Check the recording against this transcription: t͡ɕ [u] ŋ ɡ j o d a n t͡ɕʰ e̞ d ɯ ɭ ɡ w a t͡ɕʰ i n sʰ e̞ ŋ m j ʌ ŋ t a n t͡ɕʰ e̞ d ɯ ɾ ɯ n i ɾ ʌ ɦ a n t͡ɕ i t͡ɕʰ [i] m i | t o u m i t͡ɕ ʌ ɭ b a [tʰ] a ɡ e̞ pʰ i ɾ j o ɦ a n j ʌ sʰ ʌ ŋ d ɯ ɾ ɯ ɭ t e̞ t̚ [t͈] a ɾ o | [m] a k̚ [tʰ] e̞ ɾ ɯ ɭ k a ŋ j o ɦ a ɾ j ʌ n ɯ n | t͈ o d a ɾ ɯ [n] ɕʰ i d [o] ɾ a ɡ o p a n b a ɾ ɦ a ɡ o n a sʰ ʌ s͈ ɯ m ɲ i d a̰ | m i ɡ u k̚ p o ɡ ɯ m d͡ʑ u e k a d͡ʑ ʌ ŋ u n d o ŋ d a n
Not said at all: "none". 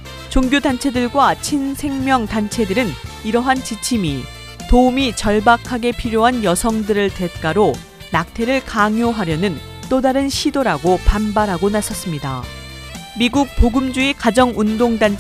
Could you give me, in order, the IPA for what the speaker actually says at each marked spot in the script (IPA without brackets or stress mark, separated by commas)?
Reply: o, i, kʰ, k͈, n, tʰ, n, o